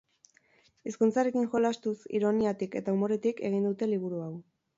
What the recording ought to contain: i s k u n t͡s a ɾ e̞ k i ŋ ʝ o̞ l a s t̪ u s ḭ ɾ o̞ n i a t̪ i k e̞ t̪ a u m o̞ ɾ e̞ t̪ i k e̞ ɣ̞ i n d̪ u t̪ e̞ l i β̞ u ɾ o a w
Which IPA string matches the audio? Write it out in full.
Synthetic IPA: i s k u n t͡s a ɾ e̞ k i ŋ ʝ o̞ l a s t̪ u s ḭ ɾ o̞ n i a t̪ i k e̞ t̪ a u m o̞ ɾ e̞ t̪ i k e̞ ɣ̞ i n d̪ u t̪ e̞ l i β̞ u ɾ u a w